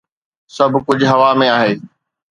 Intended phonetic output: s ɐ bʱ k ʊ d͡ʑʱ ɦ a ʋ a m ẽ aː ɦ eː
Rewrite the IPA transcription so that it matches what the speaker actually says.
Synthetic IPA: s ɐ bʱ k ʊ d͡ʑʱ ɦ ɐ ʋ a m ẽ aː ɦ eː